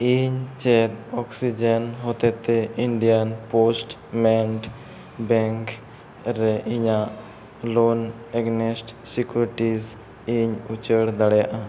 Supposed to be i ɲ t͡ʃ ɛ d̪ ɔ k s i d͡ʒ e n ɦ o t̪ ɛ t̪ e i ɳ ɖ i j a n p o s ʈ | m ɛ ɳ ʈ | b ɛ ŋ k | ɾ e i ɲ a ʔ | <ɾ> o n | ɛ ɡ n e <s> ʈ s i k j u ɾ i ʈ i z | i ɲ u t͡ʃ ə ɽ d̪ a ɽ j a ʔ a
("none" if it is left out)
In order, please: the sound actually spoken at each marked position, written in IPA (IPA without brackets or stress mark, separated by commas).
l, s